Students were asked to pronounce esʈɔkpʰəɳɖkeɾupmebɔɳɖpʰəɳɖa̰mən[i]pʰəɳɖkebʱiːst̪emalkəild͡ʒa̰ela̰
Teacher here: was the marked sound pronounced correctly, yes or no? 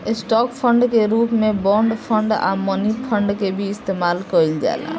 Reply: yes